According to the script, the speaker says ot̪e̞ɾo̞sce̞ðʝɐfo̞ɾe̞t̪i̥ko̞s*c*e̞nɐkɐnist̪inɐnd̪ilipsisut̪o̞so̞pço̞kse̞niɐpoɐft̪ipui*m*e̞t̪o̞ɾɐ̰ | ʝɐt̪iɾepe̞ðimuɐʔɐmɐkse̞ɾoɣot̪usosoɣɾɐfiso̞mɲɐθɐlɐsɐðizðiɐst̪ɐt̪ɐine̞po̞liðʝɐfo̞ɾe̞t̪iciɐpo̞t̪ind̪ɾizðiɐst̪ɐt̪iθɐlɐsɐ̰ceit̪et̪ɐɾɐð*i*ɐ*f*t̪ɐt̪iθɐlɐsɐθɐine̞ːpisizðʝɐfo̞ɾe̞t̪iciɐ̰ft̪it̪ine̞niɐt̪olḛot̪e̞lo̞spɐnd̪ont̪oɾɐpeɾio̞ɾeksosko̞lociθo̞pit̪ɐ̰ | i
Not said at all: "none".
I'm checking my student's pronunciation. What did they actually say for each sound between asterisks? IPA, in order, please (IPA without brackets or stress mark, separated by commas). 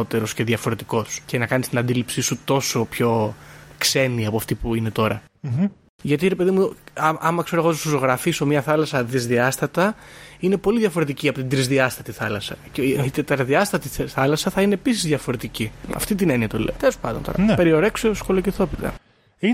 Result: c, n, i, s